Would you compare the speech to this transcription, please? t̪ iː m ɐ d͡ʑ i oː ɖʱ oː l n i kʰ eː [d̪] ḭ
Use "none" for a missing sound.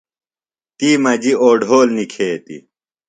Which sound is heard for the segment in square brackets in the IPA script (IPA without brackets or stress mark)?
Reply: t̪